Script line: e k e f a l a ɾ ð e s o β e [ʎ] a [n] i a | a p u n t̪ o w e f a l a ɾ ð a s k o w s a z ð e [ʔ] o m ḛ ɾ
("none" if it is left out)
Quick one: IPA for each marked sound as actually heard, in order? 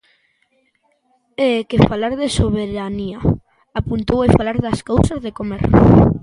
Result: ɾ, n, k

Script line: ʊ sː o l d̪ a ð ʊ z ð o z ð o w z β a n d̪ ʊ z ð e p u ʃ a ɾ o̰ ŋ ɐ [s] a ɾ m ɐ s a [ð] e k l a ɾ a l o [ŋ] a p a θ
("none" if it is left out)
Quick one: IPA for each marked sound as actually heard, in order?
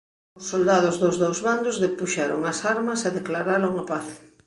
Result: s, ð, ŋ

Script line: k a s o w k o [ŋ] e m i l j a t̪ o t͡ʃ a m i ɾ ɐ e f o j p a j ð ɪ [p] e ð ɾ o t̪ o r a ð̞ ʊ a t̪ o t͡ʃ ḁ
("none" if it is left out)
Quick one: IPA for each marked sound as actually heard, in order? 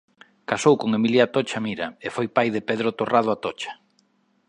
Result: ŋ, p

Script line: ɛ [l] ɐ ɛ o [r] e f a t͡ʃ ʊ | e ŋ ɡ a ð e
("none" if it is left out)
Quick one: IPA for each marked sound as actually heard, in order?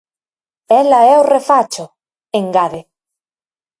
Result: l, r

